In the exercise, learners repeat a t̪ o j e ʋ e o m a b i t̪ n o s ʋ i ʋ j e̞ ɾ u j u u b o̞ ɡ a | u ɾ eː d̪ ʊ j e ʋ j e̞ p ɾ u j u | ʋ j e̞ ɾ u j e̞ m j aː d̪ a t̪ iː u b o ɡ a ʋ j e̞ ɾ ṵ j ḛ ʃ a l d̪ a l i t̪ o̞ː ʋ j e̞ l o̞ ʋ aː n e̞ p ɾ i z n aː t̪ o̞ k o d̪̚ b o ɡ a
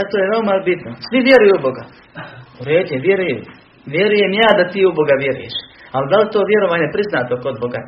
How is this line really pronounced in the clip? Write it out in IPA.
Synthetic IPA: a t̪ o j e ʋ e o m a b i t̪ n o s ʋ i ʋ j e̞ ɾ u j u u b o̞ ɡ a | u ɾ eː d̪ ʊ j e ʋ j e̞ ɾ u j u | ʋ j e̞ ɾ u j e̞ m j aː d̪ a t̪ iː u b o ɡ a ʋ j e̞ ɾ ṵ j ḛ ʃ a l d̪ a l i t̪ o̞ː ʋ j e̞ ɾ o̞ ʋ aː ɲ e̞ p ɾ i z n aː t̪ o̞ k o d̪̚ b o ɡ a